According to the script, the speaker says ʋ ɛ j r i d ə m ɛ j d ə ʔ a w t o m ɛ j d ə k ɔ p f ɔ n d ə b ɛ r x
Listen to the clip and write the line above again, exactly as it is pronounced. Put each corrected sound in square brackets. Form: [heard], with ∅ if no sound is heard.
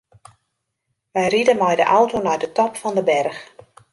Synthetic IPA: ʋ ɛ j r i d ə m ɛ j d ə ʔ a w t o [n] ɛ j d ə [t] ɔ p f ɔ n d ə b ɛ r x